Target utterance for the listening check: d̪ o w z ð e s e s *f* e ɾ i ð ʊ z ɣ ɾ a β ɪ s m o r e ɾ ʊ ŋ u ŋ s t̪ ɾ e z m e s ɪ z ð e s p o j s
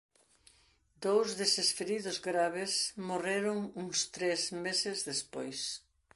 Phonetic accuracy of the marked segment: correct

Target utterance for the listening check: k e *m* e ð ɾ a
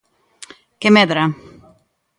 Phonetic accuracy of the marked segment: correct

